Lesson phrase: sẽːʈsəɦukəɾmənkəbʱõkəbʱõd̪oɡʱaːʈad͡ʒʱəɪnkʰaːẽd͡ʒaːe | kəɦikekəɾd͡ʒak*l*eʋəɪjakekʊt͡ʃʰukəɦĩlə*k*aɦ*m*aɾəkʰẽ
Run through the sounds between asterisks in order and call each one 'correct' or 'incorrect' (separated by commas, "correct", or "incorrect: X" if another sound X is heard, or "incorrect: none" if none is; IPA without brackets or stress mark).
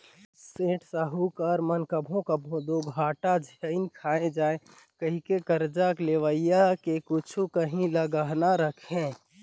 correct, incorrect: ɡ, incorrect: n